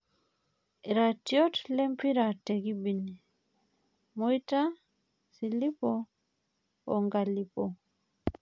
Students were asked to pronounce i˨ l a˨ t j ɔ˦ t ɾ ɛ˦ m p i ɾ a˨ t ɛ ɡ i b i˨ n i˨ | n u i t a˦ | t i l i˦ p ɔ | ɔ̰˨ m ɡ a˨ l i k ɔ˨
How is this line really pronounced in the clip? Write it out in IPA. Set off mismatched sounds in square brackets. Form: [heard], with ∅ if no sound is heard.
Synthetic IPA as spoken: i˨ [ɾ] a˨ t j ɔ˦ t [l] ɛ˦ m p i ɾ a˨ t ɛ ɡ i b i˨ n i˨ | [m] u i t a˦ | [s] i l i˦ p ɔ | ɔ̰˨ [ŋ] ɡ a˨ l i [p] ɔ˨